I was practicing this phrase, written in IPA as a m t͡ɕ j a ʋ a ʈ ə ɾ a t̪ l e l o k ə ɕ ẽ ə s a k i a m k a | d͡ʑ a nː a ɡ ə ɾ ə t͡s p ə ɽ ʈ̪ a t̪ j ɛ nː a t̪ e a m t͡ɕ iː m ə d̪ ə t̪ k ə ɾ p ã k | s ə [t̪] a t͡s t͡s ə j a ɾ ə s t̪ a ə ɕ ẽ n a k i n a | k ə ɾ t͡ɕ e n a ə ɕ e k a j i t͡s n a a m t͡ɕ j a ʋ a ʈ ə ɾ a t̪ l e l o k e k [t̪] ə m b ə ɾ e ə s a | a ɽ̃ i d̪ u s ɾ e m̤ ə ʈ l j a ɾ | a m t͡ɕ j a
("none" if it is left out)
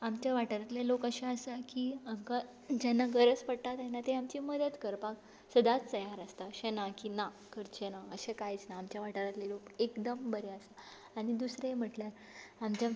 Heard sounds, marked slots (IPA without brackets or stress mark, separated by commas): d̪, d̪